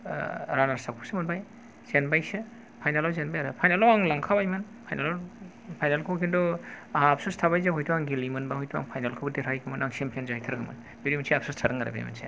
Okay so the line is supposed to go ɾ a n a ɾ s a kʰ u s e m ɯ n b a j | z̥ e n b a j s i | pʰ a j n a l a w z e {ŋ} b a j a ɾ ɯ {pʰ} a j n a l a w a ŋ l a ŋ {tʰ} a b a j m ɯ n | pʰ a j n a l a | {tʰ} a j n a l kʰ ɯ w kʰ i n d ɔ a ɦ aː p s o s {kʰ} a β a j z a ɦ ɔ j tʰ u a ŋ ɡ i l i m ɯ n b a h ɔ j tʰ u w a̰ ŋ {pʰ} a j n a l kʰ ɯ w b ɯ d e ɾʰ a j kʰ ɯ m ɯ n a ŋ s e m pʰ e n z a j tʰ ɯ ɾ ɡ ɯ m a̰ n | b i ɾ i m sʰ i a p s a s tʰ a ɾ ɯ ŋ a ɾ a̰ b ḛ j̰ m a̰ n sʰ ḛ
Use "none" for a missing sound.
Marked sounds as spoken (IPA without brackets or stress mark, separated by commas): n, pʰ, kʰ, pʰ, tʰ, pʰ